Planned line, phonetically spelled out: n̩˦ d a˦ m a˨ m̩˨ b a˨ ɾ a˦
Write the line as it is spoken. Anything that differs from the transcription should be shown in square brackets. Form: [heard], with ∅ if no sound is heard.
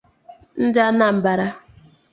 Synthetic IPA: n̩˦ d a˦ [n] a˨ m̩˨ b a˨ ɾ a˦